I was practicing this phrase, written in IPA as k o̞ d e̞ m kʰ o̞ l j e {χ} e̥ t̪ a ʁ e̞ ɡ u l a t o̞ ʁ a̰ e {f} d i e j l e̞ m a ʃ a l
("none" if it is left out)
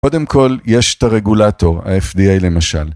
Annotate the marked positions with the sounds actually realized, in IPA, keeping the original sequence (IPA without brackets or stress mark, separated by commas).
ʃ, f